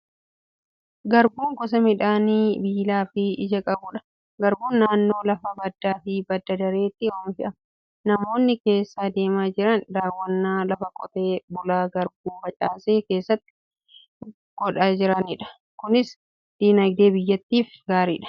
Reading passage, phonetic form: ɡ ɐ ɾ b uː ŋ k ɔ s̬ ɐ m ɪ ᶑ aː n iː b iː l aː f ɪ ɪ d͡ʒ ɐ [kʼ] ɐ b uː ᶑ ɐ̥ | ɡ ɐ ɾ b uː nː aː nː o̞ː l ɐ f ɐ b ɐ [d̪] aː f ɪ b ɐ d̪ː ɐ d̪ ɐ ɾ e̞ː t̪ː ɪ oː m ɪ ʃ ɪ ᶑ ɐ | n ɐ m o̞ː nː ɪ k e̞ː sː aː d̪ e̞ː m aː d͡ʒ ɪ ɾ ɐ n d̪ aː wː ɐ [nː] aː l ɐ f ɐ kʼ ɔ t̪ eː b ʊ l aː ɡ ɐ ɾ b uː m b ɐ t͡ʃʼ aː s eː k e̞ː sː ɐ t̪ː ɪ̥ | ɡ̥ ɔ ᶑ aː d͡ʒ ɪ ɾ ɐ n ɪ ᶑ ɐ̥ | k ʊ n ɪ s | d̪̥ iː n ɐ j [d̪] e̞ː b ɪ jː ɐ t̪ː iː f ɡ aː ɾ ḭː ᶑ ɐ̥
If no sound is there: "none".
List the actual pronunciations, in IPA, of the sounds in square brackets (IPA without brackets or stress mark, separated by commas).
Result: kʼ, d̪ː, nː, d̪